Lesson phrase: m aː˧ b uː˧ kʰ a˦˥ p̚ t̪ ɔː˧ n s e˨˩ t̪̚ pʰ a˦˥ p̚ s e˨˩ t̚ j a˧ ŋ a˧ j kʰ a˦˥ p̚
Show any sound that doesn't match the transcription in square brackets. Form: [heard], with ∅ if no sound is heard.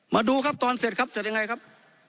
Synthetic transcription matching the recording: m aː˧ [d] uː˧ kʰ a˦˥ p̚ t̪ ɔː˧ n s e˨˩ t̪̚ [kʰ] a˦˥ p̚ s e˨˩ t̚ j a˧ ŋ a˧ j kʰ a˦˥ p̚

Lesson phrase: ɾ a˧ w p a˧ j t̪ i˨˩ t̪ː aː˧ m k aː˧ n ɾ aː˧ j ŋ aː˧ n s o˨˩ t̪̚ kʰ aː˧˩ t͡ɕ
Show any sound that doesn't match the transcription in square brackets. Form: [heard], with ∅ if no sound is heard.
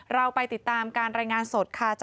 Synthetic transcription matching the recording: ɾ a˧ w p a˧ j t̪ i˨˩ t̪ː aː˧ m k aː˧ n ɾ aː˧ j ŋ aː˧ n s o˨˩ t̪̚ kʰ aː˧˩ t͡ɕ

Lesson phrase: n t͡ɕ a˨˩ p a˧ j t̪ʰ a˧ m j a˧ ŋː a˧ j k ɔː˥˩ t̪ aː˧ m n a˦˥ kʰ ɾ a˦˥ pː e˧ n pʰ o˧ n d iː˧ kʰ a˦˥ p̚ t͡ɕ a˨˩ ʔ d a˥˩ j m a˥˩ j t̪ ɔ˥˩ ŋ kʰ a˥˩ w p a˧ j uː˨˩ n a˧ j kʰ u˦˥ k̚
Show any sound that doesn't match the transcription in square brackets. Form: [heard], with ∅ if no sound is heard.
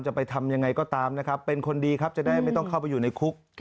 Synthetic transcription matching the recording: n t͡ɕ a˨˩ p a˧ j t̪ʰ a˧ m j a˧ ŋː a˧ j k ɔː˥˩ t̪ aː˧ m n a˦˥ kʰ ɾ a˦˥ pː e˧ n [kʰ] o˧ n d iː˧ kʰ a˦˥ p̚ t͡ɕ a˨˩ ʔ d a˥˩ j m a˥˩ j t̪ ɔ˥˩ ŋ kʰ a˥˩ w p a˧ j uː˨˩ n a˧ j kʰ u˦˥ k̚

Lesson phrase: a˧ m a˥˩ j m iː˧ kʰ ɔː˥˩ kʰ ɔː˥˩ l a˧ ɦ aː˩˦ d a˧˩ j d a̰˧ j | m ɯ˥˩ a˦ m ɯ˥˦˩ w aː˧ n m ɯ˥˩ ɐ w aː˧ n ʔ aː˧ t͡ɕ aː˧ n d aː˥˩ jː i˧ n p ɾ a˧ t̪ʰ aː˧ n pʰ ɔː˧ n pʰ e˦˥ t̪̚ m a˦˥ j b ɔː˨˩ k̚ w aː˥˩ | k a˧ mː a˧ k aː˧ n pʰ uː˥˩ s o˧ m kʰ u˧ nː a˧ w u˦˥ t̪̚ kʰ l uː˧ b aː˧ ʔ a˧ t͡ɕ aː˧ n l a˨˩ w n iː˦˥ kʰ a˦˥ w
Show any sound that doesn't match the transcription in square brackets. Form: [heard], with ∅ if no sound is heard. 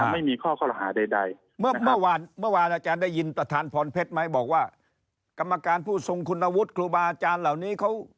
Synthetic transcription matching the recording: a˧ m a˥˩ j m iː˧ kʰ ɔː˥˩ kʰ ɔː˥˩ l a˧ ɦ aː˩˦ d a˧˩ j d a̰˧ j | m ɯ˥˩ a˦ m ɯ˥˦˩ w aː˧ n m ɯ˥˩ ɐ w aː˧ n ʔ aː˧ t͡ɕ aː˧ n d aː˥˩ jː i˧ n p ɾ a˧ t̪ʰ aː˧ n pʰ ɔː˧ n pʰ e˦˥ t̪̚ m a˦˥ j b ɔː˨˩ k̚ w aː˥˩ | k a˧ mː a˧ k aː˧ n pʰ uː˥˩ s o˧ [ŋ] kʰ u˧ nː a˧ w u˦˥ t̪̚ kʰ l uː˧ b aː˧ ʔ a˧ t͡ɕ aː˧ n l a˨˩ w n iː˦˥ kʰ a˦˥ w

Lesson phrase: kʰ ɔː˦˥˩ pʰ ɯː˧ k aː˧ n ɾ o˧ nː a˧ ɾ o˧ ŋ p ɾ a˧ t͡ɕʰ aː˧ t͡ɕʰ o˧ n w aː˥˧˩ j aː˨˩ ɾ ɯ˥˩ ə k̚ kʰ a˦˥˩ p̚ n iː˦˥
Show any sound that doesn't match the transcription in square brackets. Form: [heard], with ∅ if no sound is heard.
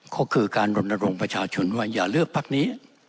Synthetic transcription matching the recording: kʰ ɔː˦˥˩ [kʰ] ɯː˧ k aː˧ n ɾ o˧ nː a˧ ɾ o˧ ŋ p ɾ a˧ t͡ɕʰ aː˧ t͡ɕʰ o˧ n w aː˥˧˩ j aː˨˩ [l] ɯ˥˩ ə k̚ [pʰ] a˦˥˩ [k̚] n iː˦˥

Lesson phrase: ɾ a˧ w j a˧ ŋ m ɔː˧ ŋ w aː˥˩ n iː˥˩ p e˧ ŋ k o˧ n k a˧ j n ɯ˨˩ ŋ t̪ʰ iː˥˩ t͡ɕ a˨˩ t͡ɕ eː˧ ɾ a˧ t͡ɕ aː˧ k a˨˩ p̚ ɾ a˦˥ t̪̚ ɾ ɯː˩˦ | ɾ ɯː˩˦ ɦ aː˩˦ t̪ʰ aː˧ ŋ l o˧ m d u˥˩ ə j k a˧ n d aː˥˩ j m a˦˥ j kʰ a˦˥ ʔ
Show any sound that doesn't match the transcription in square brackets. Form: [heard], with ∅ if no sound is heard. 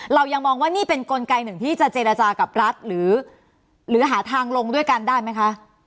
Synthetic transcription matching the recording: ɾ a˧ w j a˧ ŋ m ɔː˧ ŋ w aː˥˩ n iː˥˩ p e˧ [n] k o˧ n k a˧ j n ɯ˨˩ ŋ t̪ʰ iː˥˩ t͡ɕ a˨˩ t͡ɕ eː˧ ɾ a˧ t͡ɕ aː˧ k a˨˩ p̚ ɾ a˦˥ t̪̚ ɾ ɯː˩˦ | ɾ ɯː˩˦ ɦ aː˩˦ t̪ʰ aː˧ ŋ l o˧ [ŋ] d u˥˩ ə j k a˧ n d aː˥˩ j m a˦˥ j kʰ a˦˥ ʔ

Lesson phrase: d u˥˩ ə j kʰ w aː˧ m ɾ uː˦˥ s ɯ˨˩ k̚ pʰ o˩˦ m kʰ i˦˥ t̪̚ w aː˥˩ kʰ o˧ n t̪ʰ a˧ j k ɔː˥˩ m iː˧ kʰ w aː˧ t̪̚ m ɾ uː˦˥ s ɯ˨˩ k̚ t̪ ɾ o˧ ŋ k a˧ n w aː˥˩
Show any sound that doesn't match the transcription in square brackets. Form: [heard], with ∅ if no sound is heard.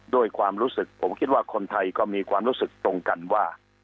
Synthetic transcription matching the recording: d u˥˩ ə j kʰ w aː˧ m ɾ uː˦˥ s ɯ˨˩ k̚ pʰ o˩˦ m kʰ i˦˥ t̪̚ w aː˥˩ kʰ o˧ n t̪ʰ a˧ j k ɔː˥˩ m iː˧ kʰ w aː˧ [∅] m ɾ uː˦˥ s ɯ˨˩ k̚ t̪ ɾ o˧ ŋ k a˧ n w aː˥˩

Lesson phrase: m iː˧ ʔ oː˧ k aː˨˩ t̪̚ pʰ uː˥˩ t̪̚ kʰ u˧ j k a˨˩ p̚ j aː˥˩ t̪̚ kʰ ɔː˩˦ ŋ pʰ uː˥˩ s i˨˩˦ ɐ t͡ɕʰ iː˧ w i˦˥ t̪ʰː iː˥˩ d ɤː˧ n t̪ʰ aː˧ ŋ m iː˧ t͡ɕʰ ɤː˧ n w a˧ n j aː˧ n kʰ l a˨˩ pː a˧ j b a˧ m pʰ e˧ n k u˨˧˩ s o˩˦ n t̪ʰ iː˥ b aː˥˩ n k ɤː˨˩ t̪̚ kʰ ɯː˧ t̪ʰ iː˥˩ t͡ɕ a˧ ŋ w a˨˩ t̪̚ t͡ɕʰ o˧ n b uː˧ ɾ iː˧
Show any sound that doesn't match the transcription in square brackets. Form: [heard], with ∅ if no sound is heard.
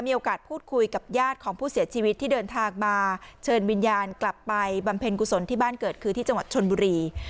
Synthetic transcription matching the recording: m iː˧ ʔ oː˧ k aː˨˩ t̪̚ pʰ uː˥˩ t̪̚ kʰ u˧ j k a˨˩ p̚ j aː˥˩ t̪̚ kʰ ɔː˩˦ ŋ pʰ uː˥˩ s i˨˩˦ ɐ t͡ɕʰ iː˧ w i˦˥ t̪ʰː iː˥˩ d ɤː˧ n t̪ʰ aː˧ ŋ m [aː˧] t͡ɕʰ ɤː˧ n w [i˧] n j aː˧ n [k] l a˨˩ pː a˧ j b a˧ m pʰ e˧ n k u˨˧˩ s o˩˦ n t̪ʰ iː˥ b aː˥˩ n k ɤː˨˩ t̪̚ kʰ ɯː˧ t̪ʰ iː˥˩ t͡ɕ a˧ ŋ w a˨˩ t̪̚ t͡ɕʰ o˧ n b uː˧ ɾ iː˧

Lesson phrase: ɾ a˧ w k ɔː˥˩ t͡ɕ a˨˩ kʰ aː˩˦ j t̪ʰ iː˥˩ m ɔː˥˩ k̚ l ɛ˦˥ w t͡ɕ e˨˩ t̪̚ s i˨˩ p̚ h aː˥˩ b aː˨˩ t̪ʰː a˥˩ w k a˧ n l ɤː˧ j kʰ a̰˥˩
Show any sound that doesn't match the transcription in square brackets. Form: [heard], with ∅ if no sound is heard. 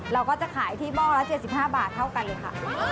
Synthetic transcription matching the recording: ɾ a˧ w k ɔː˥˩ t͡ɕ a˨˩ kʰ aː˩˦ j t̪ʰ iː˥˩ m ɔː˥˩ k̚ l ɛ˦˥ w t͡ɕ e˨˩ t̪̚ s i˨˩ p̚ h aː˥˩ b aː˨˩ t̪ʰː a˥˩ w k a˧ n l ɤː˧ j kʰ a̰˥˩

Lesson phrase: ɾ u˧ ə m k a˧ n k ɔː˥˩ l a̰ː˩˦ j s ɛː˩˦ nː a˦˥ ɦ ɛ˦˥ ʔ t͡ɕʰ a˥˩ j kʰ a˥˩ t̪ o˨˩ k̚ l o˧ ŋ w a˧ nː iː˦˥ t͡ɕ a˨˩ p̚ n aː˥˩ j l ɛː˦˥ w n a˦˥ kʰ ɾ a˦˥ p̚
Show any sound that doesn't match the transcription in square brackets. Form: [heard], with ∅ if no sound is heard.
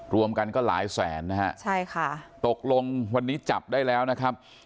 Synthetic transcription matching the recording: ɾ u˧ ə m k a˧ n k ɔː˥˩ l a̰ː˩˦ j s ɛː˩˦ nː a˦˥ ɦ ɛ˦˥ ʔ t͡ɕʰ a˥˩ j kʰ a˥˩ t̪ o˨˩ k̚ l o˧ ŋ w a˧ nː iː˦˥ t͡ɕ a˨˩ p̚ [d] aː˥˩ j l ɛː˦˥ w n a˦˥ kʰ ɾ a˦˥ p̚

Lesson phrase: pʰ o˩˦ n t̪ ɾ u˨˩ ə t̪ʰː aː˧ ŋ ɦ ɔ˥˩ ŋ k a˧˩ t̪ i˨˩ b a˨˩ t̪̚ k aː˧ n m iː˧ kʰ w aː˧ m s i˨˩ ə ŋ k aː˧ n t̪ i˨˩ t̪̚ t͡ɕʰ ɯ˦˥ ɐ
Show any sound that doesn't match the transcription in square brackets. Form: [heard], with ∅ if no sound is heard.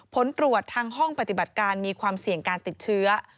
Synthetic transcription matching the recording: pʰ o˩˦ n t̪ ɾ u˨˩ ə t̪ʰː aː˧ ŋ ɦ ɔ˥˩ ŋ [p] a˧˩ t̪ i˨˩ b a˨˩ t̪̚ k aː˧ n m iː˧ kʰ w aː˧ m s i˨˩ ə ŋ k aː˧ n t̪ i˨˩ t̪̚ t͡ɕʰ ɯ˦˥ ɐ

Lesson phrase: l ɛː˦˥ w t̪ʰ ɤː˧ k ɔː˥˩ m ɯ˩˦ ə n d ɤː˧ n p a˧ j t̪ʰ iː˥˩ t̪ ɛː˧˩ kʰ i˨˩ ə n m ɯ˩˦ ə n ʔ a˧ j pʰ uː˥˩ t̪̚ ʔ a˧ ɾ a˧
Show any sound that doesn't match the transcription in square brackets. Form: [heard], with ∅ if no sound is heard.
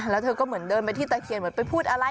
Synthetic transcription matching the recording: l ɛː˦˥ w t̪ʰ ɤː˧ k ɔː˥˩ m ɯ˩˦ ə n d ɤː˧ n p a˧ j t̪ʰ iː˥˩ t̪ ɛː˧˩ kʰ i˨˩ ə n m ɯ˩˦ ə n [p] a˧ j pʰ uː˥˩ t̪̚ ʔ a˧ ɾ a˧

